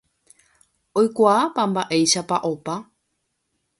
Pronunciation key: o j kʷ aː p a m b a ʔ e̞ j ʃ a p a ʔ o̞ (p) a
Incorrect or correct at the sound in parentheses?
correct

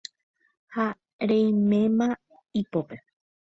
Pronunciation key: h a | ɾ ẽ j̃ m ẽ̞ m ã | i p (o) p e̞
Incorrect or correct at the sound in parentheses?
correct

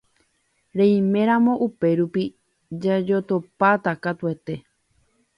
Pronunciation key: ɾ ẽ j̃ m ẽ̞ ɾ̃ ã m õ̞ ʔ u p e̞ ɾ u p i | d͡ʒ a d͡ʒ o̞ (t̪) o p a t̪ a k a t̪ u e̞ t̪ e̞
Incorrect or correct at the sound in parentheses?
correct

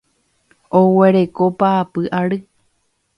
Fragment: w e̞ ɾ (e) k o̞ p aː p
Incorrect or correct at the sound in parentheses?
correct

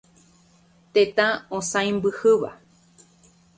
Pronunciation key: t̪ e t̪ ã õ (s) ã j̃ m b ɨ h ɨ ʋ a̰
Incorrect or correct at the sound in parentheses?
correct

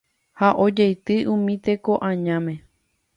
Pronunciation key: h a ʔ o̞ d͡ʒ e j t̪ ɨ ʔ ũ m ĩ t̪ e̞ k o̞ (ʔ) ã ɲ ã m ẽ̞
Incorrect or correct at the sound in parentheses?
correct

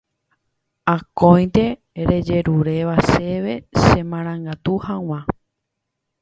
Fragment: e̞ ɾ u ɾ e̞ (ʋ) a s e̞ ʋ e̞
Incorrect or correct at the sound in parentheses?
correct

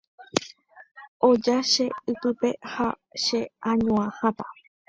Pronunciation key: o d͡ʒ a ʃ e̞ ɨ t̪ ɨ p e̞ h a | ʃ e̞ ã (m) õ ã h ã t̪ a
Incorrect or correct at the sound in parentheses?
incorrect: ɲ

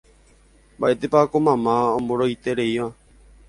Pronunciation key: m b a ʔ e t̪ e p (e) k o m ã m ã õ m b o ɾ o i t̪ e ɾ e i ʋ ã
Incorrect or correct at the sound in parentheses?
incorrect: a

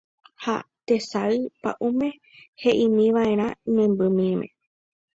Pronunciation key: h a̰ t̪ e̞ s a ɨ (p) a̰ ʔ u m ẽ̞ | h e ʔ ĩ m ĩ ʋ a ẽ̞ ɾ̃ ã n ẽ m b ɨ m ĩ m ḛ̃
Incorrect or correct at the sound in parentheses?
correct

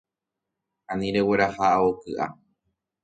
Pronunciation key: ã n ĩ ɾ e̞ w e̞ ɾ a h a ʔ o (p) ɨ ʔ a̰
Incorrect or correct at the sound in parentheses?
incorrect: k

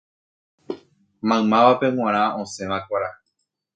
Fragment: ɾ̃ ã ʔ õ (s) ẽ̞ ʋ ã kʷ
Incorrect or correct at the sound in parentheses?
correct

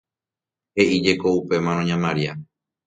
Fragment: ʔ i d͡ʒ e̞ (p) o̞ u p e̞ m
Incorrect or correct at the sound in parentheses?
incorrect: k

